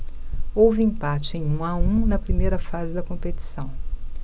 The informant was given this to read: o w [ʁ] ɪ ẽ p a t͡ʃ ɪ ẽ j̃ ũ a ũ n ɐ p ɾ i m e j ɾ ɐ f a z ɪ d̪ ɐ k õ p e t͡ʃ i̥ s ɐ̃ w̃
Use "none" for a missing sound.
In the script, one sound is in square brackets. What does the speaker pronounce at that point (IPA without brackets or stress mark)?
v